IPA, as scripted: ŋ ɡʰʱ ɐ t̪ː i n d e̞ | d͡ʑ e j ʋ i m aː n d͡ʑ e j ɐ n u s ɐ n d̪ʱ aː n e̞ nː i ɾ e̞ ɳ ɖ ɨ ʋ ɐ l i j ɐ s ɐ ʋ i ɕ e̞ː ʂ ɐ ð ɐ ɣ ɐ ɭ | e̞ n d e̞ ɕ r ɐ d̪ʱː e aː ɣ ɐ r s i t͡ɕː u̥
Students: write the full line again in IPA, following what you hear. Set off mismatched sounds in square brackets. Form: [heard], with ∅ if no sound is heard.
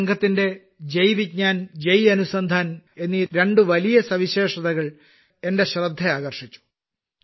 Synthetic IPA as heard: ŋ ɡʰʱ ɐ t̪ː i n d e̞ | d͡ʑ e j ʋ i [ɲ] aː n d͡ʑ e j ɐ n u s ɐ n d̪ʱ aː n e̞ nː i ɾ e̞ ɳ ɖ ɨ ʋ ɐ l i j ɐ s ɐ ʋ i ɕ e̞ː ʂ ɐ ð ɐ ɣ ɐ ɭ | e̞ n d e̞ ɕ r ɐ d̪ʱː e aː ɣ ɐ r [ʂ] i t͡ɕː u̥